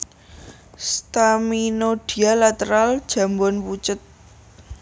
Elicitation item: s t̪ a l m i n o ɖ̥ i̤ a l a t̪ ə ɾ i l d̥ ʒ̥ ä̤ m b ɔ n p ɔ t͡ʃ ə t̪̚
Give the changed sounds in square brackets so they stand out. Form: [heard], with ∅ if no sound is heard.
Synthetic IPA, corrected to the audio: s t̪ a [∅] m i n o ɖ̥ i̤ a l a t̪ ə ɾ [a] l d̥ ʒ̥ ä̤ m b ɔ n p [u] t͡ʃ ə t̪̚